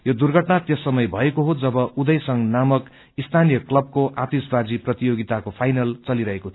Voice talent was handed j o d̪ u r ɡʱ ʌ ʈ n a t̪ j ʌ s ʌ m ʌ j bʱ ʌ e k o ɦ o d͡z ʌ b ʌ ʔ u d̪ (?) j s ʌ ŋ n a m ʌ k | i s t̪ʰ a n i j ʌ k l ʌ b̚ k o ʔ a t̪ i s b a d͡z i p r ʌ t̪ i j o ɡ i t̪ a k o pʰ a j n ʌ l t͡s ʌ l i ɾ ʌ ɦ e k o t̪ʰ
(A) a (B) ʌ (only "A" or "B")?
B